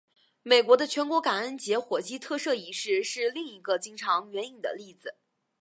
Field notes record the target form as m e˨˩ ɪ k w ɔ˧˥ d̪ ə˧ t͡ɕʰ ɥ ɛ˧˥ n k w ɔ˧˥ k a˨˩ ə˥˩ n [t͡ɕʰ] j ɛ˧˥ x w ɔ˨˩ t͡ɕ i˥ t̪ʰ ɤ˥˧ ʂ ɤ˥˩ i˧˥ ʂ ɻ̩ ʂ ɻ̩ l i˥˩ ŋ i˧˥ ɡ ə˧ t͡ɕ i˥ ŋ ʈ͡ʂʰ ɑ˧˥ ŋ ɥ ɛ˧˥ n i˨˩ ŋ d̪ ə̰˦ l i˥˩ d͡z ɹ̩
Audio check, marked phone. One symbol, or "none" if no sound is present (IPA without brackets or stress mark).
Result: t͡ɕ